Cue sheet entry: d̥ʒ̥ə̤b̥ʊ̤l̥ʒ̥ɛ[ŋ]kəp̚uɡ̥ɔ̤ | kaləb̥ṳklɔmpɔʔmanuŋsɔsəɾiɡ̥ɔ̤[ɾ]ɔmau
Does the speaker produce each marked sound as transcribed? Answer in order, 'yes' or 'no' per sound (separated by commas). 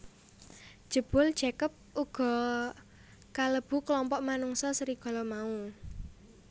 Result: no, no